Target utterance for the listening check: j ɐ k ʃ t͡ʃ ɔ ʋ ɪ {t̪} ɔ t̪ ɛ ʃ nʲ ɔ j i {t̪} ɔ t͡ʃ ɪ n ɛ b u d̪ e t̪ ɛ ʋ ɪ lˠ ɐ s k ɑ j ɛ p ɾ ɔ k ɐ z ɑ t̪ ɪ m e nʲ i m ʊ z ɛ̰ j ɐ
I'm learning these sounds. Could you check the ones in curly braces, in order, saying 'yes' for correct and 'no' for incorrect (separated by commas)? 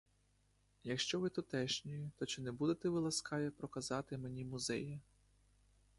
yes, yes